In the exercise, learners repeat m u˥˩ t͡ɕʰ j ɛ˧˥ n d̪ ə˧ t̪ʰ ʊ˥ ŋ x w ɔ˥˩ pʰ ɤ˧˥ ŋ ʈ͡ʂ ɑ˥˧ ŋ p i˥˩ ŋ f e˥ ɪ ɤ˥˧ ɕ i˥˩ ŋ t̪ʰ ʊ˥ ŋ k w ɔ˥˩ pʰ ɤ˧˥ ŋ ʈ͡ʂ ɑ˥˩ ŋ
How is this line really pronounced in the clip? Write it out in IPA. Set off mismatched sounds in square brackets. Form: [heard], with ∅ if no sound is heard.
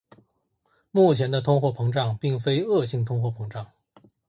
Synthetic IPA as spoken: m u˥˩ t͡ɕʰ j ɛ˧˥ n d̪ ə˧ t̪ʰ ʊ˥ ŋ x w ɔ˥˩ pʰ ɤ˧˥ ŋ ʈ͡ʂ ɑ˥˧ ŋ p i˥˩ ŋ f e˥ ɪ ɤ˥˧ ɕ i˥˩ ŋ t̪ʰ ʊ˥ ŋ [x] w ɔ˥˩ pʰ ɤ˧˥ ŋ ʈ͡ʂ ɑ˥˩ ŋ